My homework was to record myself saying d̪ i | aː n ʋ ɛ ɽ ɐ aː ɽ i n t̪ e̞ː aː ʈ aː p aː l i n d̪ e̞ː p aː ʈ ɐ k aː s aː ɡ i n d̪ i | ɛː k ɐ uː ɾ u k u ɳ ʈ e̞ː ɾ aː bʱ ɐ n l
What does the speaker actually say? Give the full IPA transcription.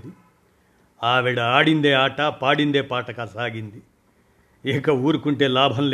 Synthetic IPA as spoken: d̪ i | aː ʋ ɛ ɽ ɐ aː ɽ i n d̪ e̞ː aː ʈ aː p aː ɽ i n d̪ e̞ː p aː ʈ ɐ k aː s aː ɡ i n d̪ i | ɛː k ɐ uː ɾ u k u ɳ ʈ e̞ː l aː bʱ ɐ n l